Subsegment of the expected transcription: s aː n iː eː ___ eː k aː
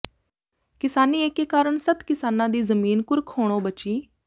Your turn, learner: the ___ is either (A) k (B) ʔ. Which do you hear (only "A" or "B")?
A